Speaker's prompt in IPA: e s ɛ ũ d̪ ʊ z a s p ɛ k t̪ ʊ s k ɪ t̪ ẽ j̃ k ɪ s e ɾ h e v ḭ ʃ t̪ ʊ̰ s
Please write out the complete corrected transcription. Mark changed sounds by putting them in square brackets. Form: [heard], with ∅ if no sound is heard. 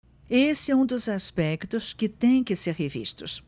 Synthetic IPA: e s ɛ ũ d̪ ʊ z a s p ɛ k t̪ ʊ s k ɪ t̪ ẽ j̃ k ɪ s e ɾ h e v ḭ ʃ t̪ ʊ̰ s

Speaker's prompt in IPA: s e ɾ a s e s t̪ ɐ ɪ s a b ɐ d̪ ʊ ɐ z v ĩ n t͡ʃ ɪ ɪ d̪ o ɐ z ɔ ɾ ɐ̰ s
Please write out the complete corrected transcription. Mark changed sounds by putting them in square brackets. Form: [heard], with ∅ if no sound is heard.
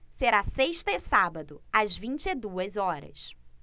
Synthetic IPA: s e ɾ a s e [ʃ] t̪ ɐ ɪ s a b ɐ d̪ ʊ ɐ z v ĩ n t͡ʃ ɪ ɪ d̪ [u] ɐ z ɔ ɾ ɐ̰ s

